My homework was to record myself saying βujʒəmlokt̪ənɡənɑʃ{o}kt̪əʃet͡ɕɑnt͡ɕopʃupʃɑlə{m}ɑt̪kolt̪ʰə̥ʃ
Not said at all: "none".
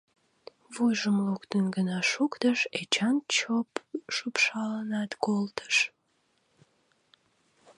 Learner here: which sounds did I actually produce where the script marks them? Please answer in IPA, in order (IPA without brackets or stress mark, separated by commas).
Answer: u, n